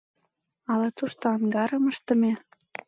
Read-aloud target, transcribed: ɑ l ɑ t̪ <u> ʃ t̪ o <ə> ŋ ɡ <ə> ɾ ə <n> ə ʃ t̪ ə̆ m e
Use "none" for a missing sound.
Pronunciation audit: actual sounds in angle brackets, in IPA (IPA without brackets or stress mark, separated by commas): u, ɑ, ɑ, m